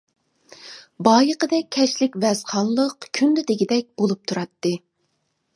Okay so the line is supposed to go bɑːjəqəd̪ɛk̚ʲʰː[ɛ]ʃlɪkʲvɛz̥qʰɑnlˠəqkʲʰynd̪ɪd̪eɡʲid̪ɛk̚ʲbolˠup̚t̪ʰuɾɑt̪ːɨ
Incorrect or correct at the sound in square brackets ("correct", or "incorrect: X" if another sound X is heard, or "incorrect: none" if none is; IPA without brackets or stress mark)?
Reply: correct